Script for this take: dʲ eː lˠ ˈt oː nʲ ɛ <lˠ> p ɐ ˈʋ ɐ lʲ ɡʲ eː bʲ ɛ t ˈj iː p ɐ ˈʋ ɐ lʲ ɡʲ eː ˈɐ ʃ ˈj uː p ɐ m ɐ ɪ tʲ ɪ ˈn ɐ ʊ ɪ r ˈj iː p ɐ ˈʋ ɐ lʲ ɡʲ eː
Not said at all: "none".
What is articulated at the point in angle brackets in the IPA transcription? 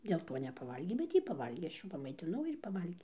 none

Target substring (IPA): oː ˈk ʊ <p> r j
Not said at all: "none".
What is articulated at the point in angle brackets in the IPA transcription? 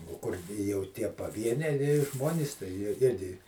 none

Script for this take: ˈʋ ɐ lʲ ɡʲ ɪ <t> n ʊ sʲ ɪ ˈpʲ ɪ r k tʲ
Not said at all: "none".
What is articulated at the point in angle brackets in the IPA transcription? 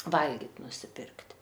t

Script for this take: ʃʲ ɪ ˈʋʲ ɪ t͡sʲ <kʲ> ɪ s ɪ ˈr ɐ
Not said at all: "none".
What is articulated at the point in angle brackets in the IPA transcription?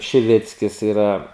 kʲ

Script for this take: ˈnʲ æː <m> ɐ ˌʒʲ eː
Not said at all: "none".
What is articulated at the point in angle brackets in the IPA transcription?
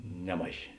m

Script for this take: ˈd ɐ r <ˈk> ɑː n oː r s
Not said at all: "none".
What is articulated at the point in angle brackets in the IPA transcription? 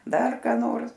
k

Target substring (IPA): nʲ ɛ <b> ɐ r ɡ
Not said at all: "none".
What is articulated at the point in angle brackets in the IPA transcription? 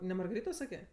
m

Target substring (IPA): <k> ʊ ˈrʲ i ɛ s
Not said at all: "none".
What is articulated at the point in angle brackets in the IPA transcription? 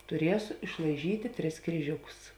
t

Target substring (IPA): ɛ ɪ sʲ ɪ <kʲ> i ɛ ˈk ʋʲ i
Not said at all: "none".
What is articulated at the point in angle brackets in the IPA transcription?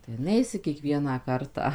kʲ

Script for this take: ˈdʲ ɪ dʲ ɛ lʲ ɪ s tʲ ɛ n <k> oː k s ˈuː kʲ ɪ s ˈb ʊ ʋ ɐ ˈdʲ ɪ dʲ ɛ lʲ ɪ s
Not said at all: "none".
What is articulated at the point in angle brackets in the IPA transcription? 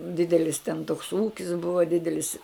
t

